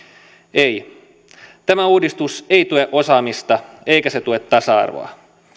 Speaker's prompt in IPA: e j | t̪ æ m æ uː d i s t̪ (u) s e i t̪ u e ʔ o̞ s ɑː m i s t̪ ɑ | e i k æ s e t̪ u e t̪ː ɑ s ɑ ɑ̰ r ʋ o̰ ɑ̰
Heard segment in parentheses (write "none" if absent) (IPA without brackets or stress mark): u